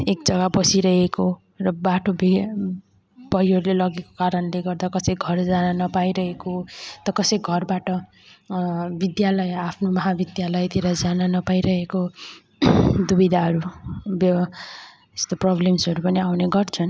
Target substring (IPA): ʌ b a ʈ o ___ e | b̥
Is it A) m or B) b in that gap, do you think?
B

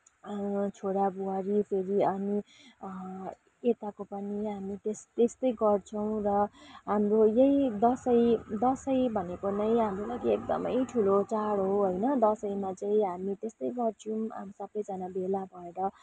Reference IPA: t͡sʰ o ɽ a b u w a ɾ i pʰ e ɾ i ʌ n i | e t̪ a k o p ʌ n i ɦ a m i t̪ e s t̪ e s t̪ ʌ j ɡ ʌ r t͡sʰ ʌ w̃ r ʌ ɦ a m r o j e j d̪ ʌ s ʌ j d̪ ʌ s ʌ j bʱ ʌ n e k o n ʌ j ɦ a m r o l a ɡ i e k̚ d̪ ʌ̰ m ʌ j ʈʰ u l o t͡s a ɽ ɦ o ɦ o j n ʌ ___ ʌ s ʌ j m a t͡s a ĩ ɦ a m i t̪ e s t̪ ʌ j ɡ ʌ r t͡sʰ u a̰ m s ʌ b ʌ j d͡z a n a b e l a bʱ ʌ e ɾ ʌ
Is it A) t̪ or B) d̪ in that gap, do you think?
B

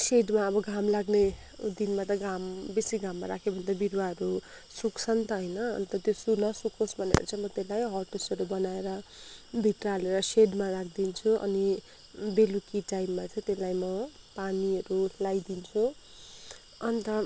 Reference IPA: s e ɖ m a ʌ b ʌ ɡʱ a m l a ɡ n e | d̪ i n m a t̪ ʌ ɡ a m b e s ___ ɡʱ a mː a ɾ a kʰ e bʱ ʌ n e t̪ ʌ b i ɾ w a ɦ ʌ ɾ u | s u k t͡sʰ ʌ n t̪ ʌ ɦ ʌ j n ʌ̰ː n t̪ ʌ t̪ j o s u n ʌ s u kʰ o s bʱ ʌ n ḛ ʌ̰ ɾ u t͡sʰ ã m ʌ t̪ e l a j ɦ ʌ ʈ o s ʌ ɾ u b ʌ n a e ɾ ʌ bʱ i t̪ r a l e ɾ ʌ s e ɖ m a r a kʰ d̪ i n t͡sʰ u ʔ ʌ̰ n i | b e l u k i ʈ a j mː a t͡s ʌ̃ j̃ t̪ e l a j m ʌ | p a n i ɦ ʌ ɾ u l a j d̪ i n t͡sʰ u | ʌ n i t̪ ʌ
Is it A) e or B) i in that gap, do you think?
B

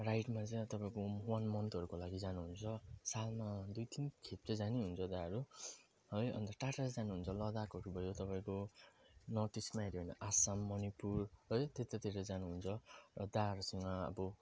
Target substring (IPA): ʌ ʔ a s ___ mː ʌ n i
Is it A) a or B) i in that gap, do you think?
A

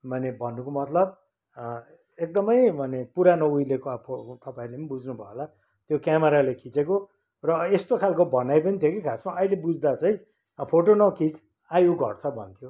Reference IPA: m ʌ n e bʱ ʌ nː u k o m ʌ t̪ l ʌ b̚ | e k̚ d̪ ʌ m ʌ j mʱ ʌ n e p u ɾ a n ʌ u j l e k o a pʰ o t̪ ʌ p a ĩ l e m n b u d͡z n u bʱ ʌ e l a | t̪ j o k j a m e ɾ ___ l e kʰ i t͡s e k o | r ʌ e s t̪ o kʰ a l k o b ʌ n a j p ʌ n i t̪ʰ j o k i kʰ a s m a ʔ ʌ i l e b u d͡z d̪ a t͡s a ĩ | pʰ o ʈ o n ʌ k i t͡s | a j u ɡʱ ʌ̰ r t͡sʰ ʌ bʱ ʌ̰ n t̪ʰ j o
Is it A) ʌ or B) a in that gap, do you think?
B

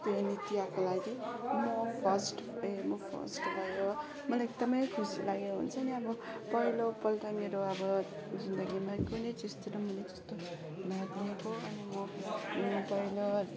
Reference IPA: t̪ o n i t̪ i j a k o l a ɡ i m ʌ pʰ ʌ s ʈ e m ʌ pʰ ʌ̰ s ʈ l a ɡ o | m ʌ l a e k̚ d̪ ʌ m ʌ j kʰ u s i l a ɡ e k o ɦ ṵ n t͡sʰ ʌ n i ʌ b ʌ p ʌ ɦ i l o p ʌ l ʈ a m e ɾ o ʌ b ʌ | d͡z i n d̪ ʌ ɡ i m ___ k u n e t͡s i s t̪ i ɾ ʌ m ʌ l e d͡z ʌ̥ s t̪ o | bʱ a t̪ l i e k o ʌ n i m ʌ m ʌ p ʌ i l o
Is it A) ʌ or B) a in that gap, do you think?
B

